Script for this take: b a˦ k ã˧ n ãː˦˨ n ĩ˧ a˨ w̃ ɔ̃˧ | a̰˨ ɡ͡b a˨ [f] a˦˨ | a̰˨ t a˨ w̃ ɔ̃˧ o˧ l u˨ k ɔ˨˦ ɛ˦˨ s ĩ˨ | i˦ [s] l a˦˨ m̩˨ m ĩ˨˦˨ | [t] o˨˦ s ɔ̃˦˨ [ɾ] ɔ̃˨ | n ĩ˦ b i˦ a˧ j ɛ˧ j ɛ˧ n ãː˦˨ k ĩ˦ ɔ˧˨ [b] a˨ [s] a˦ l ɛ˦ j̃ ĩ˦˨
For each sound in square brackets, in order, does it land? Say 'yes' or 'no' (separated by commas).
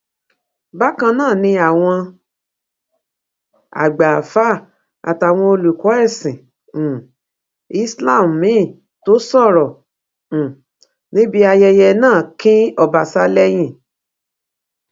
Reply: yes, yes, yes, yes, yes, yes